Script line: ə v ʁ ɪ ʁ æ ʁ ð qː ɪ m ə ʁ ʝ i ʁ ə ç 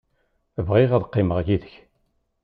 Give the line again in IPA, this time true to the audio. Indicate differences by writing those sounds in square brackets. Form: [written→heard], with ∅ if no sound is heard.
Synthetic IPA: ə v ʁ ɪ ʁ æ [ʁ→∅] ð qː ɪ m ə ʁ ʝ i [ʁ→ð] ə ç